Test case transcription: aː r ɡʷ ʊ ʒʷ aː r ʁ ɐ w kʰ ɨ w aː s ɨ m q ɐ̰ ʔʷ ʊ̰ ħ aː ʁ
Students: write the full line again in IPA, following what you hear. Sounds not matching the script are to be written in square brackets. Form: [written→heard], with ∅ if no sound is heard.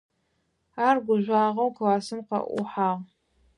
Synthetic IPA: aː r ɡʷ ʊ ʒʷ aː [r→∅] ʁ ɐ w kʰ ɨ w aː s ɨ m q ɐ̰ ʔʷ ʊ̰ ħ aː ʁ